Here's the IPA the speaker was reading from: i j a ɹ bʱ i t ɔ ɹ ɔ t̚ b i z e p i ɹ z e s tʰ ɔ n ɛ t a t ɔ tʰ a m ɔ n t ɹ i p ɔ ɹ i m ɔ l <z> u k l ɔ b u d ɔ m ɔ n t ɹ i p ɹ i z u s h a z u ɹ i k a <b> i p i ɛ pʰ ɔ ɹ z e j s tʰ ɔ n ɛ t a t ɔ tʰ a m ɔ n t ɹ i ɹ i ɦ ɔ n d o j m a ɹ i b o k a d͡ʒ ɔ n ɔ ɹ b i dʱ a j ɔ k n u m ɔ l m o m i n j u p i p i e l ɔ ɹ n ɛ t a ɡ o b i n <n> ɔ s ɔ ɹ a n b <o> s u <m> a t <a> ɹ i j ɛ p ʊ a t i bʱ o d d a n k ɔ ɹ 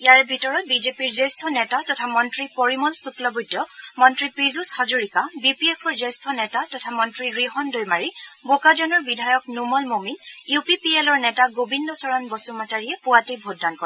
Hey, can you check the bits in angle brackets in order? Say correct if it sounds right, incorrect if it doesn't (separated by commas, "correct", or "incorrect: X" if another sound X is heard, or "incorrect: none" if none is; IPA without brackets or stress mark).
incorrect: s, correct, incorrect: d, incorrect: ɔ, correct, correct